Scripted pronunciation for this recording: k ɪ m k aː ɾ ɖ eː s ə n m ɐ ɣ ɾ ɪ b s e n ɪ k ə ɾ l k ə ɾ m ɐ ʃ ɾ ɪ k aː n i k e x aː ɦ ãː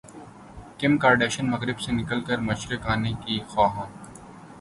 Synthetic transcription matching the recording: k ɪ m k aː ɾ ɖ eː ʃ ə n m ɐ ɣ ɾ ɪ b s e n ɪ k ə l k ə ɾ m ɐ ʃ ɾ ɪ k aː n e k i x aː ɦ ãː